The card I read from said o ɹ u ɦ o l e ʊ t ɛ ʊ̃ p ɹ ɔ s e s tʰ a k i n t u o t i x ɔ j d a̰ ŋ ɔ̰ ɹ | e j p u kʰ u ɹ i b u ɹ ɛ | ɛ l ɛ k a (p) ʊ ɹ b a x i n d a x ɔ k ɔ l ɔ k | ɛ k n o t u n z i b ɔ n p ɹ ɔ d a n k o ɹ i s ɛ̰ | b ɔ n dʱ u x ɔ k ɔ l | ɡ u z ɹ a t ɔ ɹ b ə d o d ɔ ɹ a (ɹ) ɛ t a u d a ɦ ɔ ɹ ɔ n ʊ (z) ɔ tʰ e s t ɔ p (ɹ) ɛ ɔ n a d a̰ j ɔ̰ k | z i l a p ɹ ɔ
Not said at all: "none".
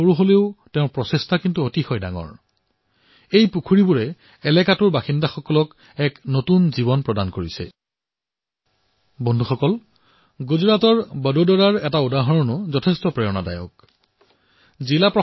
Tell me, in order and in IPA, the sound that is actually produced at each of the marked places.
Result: t, ɹ, z, ɹ

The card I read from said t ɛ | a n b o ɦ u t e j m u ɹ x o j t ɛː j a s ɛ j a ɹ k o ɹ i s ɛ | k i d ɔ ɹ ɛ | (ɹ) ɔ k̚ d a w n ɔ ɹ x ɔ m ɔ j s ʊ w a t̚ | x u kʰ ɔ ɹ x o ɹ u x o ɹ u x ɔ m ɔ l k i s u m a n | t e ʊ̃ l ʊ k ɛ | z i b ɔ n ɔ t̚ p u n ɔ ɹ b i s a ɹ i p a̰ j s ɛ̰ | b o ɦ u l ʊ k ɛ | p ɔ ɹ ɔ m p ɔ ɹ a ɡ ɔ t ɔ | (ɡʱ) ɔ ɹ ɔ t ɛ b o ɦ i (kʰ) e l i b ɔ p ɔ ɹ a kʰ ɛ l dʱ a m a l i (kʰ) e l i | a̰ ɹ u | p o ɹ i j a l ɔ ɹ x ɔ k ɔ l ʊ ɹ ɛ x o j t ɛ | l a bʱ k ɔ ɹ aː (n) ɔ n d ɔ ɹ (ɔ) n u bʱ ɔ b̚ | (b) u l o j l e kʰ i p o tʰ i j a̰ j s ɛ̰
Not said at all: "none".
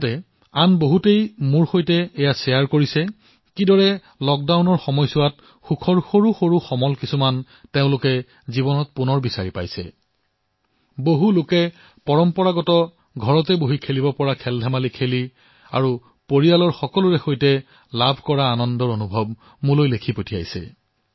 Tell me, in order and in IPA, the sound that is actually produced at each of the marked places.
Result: l, ɡʱ, kʰ, kʰ, n, o, m

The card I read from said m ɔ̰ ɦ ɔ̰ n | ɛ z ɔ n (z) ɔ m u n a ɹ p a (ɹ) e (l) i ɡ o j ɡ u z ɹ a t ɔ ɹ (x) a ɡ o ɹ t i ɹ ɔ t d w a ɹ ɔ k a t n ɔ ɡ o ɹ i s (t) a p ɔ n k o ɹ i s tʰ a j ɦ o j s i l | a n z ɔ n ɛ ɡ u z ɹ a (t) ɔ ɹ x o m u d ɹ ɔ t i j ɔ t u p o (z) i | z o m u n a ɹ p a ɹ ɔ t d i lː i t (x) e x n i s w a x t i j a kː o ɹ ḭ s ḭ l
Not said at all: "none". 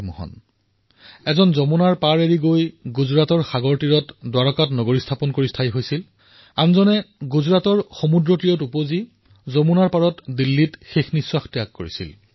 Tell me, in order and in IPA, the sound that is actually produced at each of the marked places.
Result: z, ɹ, ɹ, x, tʰ, t, z, x

